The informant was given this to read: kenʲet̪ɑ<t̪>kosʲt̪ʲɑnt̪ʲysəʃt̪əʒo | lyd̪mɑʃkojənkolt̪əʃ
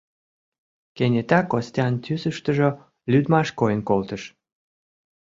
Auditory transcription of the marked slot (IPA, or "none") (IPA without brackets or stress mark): none